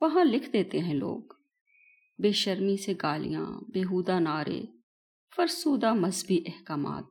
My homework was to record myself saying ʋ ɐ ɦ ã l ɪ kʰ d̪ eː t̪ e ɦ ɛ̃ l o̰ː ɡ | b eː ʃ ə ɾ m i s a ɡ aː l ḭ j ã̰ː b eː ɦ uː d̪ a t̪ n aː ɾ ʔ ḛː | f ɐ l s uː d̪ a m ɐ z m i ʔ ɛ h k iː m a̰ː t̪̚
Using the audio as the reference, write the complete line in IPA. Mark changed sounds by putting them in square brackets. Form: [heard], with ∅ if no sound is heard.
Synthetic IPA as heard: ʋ ɐ ɦ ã l ɪ kʰ d̪ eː t̪ e ɦ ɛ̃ l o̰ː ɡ | b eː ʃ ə ɾ m i s [e] ɡ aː l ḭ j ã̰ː b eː ɦ uː d̪ a [∅] n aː ɾ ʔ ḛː | f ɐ [ɾ] s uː d̪ a m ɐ z [b] i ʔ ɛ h k [aː] m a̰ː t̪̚